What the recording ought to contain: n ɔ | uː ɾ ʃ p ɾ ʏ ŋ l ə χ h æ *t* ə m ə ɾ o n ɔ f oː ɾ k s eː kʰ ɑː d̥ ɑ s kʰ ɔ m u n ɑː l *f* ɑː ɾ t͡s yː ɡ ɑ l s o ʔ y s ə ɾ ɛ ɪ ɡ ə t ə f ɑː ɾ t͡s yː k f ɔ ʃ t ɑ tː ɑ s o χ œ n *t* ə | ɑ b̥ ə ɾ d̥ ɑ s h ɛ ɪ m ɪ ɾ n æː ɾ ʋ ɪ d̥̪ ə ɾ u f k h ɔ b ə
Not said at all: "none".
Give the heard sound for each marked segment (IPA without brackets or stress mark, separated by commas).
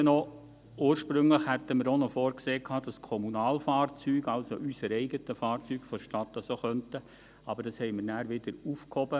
t, f, t